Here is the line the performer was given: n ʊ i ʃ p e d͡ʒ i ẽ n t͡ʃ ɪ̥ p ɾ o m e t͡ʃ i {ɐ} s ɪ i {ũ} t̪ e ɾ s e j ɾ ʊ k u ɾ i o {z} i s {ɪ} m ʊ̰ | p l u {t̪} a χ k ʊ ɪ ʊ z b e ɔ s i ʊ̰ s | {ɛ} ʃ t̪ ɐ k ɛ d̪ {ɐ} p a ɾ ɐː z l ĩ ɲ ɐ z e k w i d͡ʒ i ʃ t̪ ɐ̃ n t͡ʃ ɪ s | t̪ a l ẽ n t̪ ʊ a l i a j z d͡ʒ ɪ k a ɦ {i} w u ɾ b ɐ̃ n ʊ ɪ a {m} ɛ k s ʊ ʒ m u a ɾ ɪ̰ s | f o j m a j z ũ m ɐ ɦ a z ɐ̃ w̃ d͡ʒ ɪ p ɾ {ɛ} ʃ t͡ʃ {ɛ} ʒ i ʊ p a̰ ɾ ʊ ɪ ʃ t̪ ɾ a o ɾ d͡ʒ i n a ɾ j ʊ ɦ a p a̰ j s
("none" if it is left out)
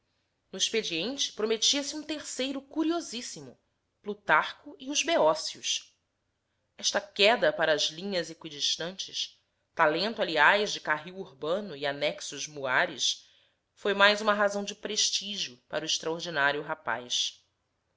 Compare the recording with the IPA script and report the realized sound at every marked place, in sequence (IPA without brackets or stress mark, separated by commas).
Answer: ɐ, ũ, z, i, t̪, ɛ, ɐ, i, n, e, i